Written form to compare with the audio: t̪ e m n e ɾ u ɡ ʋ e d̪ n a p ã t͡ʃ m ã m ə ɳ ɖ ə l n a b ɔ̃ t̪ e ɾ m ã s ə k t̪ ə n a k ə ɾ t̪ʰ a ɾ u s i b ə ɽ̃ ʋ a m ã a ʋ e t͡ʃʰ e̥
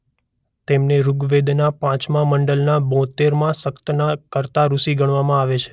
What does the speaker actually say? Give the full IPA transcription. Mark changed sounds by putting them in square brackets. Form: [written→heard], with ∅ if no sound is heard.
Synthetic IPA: t̪ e m n e ɾ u ɡ ʋ e d̪ n a p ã t͡ʃ m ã m ə ɳ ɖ ə l n a b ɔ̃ t̪ e ɾ m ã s ə k t̪ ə n a k ə ɾ [t̪ʰ→t̪] a ɾ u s i [b→ɡ] ə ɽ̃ ʋ a m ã a ʋ e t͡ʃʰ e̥